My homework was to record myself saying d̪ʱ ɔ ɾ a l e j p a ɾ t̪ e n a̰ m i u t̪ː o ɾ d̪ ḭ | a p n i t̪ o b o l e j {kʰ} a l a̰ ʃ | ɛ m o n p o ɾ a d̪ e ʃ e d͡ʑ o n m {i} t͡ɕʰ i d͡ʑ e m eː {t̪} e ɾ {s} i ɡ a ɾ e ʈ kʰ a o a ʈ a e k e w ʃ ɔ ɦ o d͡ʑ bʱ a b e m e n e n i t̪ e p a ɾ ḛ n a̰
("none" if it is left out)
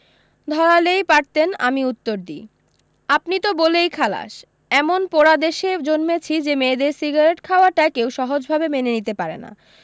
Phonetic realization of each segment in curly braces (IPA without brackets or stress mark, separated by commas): kʰ, e, d̪, s